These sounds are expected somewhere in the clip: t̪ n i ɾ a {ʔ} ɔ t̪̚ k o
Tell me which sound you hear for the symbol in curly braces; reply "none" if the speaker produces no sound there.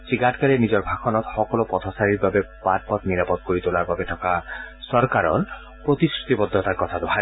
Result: p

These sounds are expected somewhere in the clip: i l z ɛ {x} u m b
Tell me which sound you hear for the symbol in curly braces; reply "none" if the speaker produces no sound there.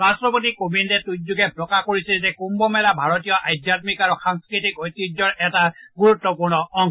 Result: k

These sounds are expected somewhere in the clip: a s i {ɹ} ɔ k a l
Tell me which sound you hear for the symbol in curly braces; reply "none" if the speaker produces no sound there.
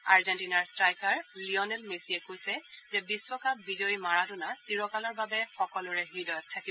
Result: ɹ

